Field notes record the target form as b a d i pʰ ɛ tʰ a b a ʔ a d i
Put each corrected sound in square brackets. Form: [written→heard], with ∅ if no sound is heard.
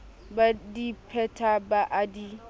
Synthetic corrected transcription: b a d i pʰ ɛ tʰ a b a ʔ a d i

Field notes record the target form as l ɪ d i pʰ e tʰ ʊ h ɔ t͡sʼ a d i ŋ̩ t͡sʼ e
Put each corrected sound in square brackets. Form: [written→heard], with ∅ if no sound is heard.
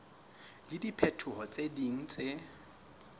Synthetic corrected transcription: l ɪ d i pʰ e tʰ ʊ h ɔ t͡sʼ [a→e] d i ŋ̩ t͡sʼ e

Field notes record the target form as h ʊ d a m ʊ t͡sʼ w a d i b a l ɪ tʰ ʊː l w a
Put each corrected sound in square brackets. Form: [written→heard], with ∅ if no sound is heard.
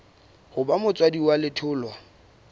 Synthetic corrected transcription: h ʊ [d→b] a m ʊ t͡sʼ w a d i [b→w] a l ɪ tʰ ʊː l w a

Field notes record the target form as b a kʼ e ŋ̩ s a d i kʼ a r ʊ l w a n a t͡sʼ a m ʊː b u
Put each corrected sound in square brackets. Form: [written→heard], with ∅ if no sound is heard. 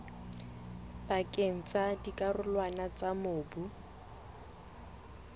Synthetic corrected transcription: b a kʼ e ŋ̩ [s→t͡s] a d i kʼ a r ʊ l w a n a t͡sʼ a m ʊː b u

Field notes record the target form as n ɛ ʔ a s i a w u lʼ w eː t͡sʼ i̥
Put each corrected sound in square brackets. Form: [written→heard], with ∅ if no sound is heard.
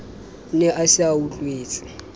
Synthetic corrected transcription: n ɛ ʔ a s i a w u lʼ w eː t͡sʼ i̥

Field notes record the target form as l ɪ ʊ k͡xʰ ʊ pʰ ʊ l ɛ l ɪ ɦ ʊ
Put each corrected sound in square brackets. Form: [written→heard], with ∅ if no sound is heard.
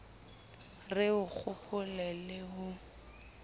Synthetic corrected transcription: [l→r] ɪ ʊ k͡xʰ ʊ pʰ ʊ l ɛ l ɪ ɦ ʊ

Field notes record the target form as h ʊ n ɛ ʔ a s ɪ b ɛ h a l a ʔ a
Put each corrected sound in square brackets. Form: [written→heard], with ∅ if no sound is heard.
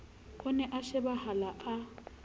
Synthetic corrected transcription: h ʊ n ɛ ʔ a [s→ʃ] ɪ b [ɛ→a] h a l a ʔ a

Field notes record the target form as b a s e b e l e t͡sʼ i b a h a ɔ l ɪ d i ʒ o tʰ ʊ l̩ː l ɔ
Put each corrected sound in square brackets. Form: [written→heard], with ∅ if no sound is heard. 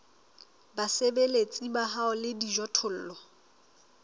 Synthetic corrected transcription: b a s e b e l e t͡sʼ i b a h a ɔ l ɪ d i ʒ [o→ɔ] tʰ ʊ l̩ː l ɔ

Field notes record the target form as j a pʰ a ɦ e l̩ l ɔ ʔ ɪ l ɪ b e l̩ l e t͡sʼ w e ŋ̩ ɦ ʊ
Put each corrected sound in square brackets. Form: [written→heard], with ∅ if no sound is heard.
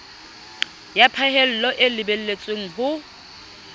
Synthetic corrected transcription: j a pʰ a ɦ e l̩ l ɔ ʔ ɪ l ɪ b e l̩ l e t͡sʼ w e ŋ̩ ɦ ʊ

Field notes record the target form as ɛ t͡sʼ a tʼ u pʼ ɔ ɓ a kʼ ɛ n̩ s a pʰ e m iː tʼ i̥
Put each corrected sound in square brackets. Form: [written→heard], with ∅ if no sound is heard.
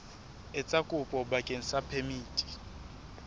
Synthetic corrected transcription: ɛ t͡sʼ a [tʼ→kʼ] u pʼ ɔ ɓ a kʼ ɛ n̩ s a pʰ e m iː tʼ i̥

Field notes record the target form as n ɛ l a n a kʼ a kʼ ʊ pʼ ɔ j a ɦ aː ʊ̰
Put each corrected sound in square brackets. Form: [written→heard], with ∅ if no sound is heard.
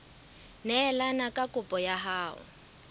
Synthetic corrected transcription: n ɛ l a n a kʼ a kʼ ʊ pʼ ɔ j a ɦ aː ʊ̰

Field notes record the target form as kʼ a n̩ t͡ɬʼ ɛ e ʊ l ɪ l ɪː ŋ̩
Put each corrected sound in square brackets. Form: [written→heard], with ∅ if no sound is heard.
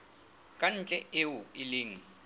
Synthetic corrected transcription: kʼ a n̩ t͡ɬʼ ɛ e ʊ [l→∅] ɪ l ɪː ŋ̩

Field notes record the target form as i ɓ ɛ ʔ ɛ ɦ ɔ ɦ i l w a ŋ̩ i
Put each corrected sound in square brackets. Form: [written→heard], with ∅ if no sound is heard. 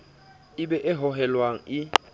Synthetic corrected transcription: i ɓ ɛ ʔ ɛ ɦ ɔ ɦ [i→ɛ] l w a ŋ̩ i

